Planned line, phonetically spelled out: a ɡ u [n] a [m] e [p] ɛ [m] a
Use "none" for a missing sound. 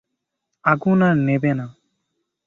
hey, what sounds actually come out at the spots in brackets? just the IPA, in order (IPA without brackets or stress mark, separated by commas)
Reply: n, n, b, n